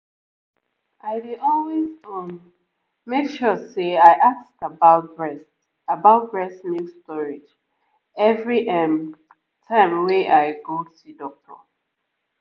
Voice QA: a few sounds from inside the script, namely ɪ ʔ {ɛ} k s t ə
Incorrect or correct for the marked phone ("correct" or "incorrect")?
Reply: incorrect